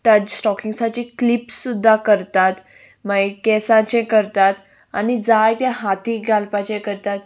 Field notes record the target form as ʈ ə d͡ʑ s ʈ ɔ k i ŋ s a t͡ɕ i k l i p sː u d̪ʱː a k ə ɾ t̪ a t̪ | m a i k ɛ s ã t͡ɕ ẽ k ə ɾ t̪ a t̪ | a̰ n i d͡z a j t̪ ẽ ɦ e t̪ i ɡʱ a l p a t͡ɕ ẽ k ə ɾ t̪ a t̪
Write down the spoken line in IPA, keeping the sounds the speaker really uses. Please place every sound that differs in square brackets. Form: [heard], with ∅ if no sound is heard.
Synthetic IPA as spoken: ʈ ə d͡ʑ s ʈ ɔ k i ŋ s a t͡ɕ i k l i p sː u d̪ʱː a k ə ɾ t̪ a t̪ | m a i k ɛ s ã t͡ɕ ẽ k ə ɾ t̪ a t̪ | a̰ n i d͡z a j t̪ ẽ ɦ [a] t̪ i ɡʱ a l p a t͡ɕ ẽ k ə ɾ t̪ a t̪